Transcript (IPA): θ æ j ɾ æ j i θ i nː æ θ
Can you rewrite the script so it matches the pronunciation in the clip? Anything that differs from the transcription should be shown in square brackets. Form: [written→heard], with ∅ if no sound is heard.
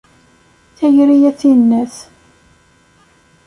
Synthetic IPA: θ æ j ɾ [æ→i] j [i→æ] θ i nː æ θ